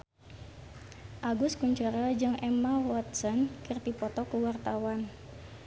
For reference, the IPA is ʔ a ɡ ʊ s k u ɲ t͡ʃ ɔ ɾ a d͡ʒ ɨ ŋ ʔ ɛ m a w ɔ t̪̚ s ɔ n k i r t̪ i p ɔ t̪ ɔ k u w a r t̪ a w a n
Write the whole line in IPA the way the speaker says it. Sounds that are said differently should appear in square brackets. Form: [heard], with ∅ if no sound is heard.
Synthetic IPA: ʔ a ɡ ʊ s k u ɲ t͡ʃ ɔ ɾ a d͡ʒ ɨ ŋ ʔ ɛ m a w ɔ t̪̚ s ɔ n k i r t̪ i p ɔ t̪ ɔ k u w a r t̪ a w a n